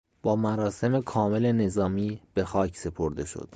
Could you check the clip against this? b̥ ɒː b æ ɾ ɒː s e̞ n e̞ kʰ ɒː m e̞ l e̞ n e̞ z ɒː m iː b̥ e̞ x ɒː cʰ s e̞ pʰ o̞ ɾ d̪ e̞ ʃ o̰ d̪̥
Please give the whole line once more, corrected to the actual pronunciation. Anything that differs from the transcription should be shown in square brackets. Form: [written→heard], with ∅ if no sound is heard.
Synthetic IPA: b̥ ɒː [b→m] æ ɾ ɒː s e̞ [n→m] e̞ kʰ ɒː m e̞ l e̞ n e̞ z ɒː m iː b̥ e̞ x ɒː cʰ s e̞ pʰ o̞ ɾ d̪ e̞ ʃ o̰ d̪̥